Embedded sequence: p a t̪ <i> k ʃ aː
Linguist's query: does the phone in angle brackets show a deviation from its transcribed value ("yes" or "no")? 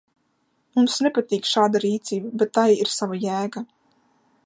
yes